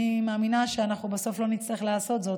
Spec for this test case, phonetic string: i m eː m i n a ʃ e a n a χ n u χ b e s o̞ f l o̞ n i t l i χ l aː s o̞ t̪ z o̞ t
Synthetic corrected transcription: i m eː m i n a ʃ e a n a χ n u b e s o̞ f l o̞ n i t͡s l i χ l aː s o̞ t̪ z o̞ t